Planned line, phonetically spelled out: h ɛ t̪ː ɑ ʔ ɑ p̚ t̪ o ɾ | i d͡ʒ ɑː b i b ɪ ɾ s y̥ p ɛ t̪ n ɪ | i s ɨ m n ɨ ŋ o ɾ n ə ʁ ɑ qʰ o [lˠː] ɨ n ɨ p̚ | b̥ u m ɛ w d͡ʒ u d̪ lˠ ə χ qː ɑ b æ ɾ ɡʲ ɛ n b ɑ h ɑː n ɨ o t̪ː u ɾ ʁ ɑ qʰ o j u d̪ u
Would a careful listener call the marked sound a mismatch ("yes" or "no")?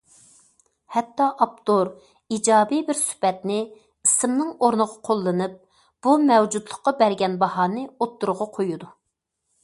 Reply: no